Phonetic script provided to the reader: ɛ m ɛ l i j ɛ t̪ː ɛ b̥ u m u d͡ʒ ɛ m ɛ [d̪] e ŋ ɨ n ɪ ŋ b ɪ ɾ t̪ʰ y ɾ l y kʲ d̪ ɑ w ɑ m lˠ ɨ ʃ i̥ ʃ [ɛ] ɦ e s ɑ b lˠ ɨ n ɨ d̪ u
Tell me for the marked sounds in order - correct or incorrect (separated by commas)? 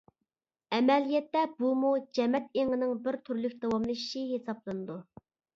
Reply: incorrect, incorrect